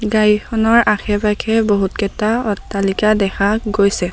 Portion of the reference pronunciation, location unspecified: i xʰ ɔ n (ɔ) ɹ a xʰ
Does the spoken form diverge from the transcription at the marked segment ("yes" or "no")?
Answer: no